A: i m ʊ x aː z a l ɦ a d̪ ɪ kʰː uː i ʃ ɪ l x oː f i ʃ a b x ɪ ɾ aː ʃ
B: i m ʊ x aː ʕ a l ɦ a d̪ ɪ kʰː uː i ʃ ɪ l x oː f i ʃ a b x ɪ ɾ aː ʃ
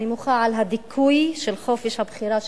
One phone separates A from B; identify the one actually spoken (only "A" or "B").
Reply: B